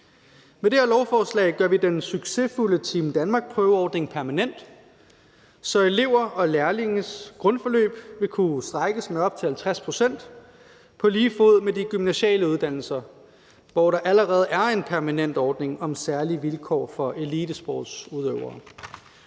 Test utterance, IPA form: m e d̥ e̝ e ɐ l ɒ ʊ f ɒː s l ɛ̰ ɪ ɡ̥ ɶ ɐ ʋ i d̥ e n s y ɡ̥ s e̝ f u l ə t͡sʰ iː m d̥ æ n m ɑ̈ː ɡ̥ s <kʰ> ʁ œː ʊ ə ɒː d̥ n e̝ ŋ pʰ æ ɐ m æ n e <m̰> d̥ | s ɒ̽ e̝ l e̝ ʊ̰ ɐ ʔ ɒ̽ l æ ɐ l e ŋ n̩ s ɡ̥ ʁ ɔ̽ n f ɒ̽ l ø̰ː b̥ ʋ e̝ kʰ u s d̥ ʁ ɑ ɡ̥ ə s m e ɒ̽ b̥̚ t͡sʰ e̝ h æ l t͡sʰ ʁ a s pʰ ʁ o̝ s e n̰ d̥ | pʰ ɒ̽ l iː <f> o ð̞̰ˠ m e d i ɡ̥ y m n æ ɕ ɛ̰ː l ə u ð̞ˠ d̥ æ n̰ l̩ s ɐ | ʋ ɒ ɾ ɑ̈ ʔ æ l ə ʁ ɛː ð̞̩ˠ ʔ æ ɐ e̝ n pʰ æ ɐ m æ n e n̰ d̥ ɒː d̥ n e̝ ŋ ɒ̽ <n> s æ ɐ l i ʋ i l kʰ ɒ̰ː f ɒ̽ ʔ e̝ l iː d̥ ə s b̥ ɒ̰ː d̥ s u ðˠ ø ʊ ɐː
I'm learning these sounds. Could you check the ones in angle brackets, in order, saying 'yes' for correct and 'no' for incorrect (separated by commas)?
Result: no, no, yes, no